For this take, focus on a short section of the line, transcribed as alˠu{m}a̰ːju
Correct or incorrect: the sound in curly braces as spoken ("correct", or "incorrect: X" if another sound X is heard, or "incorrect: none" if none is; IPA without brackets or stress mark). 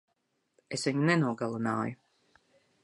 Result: incorrect: n